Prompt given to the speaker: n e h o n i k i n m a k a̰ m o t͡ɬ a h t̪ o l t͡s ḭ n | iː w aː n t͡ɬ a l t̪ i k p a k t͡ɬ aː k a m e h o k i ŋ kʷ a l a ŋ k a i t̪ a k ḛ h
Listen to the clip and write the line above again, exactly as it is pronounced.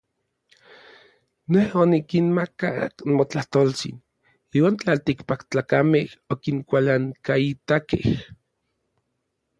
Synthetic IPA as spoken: n e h o n i k i n m a k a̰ m o t͡ɬ a h t̪ o l t͡s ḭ n | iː w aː n t͡ɬ a l t̪ i k p a k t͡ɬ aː k a m e h o k i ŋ kʷ a l a ŋ k a i t̪ a k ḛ h

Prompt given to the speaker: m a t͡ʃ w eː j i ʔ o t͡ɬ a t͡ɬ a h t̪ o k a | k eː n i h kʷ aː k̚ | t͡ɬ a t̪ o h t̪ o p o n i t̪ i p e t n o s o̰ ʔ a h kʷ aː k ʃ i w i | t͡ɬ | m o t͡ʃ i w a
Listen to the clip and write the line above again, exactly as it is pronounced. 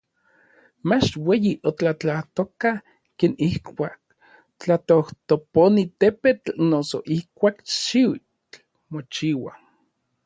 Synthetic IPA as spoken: m a t͡ʃ w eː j i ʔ o t͡ɬ a t͡ɬ a h t̪ o k a | k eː n i h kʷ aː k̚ | t͡ɬ a t̪ o h t̪ o p o n i t̪ e p e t n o s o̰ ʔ i h kʷ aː k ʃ i w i | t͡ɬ | m o t͡ʃ i w a

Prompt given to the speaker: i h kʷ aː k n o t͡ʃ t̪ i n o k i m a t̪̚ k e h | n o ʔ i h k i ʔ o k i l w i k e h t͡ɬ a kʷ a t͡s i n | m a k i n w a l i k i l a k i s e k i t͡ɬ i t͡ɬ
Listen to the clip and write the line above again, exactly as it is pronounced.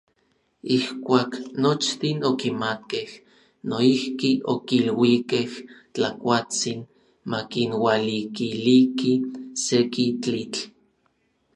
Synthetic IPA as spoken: i h kʷ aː k n o t͡ʃ t̪ i n o k i m a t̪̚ k e h | n o i h k i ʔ o k i l w i k e h t͡ɬ a kʷ a t͡s i n | m a k i n w a l i k i l i k i s e k i t͡ɬ i t͡ɬ

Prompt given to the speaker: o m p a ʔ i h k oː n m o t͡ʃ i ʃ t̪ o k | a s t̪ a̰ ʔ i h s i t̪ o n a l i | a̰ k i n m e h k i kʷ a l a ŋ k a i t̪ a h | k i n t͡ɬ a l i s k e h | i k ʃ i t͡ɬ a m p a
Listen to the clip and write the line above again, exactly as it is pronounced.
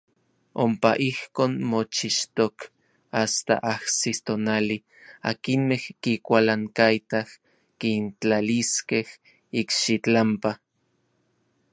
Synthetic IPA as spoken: o m p a ʔ i h k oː n m o t͡ʃ i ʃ t̪ o k | a s t̪ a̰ ʔ a h s i t̪ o n a l i | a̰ k i n m e h k i kʷ a l a ŋ k a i t̪ a h | k i n t͡ɬ a l i s k e h | i k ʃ i t͡ɬ a m p a

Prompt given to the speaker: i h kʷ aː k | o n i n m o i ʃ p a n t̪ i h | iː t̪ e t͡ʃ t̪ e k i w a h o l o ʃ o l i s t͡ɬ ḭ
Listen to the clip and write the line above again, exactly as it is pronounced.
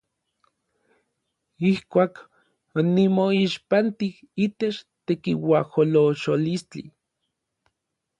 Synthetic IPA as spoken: i h kʷ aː k | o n i m o i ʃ p a n t̪ i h | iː t̪ e t͡ʃ t̪ e k i w a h o l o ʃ o l i s t͡ɬ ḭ

